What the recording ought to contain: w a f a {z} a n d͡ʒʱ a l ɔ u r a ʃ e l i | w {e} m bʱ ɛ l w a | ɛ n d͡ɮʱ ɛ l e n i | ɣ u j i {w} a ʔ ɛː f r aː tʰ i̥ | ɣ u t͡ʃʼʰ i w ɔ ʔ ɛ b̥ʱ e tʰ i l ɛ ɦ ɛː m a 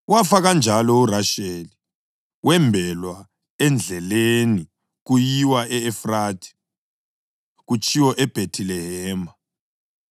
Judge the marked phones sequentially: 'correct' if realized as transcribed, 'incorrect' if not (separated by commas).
incorrect, incorrect, correct